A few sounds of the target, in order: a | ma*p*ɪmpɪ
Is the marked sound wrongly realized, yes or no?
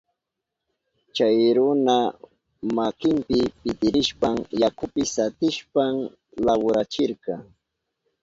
yes